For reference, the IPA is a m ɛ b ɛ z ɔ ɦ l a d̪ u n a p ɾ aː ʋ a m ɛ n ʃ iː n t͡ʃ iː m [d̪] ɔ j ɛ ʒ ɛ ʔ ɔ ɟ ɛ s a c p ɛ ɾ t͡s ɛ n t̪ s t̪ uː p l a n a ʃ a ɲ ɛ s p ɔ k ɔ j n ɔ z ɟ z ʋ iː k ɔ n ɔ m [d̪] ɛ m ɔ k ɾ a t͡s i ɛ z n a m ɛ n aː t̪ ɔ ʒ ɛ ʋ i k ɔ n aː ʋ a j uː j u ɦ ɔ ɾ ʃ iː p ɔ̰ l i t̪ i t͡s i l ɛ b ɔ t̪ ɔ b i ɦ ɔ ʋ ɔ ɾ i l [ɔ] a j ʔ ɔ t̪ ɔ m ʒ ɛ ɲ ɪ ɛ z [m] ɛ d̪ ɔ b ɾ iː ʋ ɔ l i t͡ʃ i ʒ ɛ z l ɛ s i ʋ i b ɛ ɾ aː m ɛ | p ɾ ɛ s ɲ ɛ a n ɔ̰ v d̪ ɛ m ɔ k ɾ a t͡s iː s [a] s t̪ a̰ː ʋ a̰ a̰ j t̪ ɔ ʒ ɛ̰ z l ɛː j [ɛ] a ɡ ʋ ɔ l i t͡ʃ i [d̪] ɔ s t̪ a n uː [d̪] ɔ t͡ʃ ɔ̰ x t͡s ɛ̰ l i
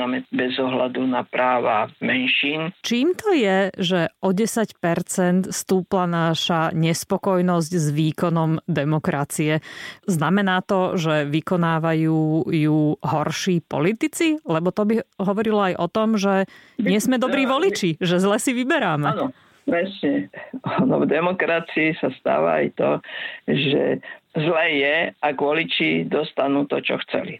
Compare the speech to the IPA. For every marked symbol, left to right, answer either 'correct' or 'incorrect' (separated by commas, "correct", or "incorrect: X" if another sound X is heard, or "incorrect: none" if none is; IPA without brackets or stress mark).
incorrect: t̪, correct, correct, correct, correct, correct, correct, incorrect: t̪